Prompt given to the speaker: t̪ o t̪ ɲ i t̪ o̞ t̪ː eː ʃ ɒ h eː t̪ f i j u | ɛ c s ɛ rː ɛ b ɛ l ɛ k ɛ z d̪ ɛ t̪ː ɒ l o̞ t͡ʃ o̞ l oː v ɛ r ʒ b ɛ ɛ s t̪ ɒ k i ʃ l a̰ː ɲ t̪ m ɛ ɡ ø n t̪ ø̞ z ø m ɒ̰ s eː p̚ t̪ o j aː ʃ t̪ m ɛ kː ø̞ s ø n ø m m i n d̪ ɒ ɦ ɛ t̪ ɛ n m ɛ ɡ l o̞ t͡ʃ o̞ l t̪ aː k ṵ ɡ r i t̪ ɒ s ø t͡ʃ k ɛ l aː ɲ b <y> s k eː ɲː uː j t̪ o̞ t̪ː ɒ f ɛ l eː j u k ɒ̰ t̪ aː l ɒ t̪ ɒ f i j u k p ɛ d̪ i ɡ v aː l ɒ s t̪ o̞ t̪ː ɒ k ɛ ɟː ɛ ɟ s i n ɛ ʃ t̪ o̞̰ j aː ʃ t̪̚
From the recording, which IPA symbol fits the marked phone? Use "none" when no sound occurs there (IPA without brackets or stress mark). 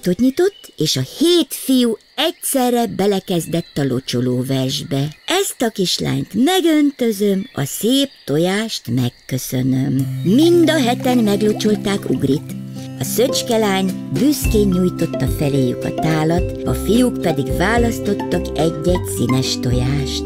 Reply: y